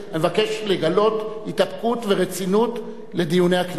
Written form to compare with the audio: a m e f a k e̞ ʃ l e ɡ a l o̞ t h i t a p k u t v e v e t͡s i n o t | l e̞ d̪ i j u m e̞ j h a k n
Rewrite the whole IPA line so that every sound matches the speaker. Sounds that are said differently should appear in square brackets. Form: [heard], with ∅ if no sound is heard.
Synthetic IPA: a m e [v] a k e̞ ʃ l e ɡ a l o̞ t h i t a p k u t v e [ʁ] e t͡s i n [u] t | l e̞ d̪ i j u [n] e̞ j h a k n